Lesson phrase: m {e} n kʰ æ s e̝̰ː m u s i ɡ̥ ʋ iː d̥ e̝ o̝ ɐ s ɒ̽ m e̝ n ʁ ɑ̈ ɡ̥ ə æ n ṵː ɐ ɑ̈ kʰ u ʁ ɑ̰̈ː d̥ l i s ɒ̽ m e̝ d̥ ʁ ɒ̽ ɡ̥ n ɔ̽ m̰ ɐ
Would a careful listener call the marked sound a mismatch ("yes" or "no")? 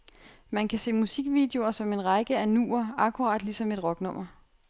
yes